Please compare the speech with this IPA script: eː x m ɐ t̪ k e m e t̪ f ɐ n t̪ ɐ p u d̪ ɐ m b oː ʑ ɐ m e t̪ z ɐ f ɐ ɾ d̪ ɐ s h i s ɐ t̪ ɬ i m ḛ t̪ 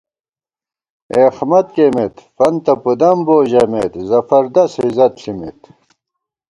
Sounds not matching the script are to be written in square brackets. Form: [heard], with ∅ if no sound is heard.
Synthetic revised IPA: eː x m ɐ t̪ k e m e t̪ f ɐ n t̪ ɐ p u d̪ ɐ m b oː ʑ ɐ m e t̪ z ɐ f ɐ ɾ d̪ ɐ s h i [z] ɐ t̪ ɬ i m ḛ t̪